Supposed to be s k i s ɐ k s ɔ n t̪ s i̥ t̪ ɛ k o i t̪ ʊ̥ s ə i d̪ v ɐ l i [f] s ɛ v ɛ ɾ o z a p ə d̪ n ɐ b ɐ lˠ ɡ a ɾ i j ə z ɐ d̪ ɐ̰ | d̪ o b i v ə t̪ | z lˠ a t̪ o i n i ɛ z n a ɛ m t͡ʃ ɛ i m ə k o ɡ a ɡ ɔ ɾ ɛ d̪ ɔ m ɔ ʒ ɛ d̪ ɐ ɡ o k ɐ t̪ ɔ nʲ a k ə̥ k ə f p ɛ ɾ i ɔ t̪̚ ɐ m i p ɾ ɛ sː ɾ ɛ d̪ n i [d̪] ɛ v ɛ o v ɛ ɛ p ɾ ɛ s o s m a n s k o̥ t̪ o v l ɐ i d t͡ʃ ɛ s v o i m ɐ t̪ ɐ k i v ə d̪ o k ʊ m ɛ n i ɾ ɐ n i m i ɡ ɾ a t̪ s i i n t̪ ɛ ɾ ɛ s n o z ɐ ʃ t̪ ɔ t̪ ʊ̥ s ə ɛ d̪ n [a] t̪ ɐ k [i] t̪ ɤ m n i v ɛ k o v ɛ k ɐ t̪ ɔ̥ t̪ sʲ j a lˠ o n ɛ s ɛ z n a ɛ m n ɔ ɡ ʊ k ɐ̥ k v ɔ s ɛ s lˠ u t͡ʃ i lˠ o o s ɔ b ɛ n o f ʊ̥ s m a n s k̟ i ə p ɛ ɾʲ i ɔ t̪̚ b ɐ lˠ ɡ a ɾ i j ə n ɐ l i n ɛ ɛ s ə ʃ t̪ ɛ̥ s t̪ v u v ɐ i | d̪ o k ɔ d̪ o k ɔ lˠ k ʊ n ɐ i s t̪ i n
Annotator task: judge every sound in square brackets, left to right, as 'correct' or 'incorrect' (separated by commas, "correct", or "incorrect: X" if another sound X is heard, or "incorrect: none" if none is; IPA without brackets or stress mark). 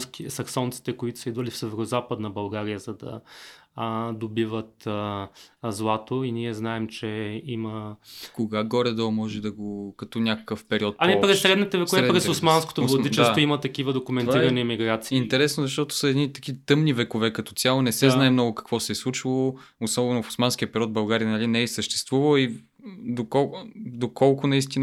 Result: correct, incorrect: t̪, incorrect: i, correct